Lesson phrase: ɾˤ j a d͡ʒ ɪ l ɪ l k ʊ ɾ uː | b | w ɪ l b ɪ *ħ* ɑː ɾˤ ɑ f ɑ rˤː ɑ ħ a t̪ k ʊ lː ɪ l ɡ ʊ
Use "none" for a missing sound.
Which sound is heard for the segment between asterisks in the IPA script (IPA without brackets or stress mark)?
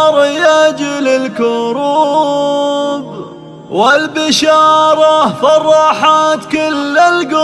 ʃ